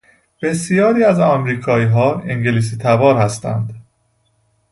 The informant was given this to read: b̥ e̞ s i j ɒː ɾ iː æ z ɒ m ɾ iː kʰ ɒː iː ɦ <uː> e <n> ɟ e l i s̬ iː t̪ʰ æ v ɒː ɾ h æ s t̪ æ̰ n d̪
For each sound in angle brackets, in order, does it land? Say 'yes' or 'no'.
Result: no, no

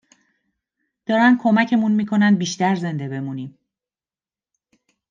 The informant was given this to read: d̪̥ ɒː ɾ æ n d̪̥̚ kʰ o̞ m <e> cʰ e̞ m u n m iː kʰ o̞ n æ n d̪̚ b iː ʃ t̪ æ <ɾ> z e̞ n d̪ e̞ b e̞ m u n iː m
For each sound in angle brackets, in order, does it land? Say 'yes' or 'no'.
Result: no, yes

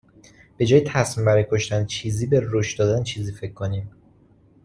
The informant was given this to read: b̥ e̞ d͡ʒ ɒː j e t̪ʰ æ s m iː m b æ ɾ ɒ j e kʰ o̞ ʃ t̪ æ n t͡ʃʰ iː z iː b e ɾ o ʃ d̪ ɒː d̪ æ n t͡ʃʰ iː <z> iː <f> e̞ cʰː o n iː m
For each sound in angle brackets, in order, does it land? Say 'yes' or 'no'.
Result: yes, yes

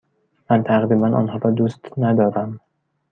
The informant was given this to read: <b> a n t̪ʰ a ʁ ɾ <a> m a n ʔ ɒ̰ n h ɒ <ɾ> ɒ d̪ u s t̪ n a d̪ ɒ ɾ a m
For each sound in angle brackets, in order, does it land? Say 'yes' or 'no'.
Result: no, no, yes

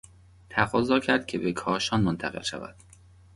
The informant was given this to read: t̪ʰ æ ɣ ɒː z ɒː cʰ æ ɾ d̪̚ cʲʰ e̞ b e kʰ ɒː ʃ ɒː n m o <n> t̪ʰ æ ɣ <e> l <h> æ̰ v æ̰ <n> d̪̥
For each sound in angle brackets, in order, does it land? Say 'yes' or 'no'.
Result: yes, yes, no, no

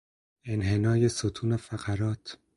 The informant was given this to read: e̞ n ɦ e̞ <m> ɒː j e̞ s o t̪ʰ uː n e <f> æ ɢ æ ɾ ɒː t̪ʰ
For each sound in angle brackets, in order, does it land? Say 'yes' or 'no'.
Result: no, yes

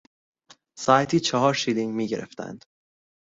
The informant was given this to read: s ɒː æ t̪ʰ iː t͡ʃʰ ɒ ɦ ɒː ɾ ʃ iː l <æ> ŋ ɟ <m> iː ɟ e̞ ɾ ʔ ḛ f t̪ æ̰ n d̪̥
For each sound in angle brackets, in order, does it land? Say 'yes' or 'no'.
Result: no, yes

